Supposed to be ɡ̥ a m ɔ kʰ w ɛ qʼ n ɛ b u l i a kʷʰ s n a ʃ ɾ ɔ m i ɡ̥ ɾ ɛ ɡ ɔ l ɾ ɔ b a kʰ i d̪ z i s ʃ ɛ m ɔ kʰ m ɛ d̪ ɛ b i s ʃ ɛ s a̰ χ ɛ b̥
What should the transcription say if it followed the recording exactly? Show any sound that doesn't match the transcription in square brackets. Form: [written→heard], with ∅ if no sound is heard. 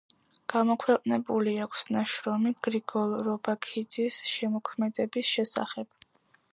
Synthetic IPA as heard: ɡ̥ a m ɔ kʰ w ɛ qʼ n ɛ b u l i a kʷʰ s n a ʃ ɾ ɔ m i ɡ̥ ɾ [ɛ→i] ɡ ɔ l ɾ ɔ b a kʰ i d̪ z i s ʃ ɛ m ɔ kʰ m ɛ d̪ ɛ b i s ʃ ɛ s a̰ χ ɛ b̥